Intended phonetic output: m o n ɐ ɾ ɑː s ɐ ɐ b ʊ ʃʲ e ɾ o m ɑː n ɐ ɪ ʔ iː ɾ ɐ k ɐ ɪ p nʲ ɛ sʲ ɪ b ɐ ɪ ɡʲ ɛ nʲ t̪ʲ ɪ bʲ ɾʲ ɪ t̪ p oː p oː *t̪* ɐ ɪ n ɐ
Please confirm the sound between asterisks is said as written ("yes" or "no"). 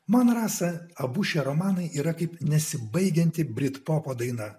no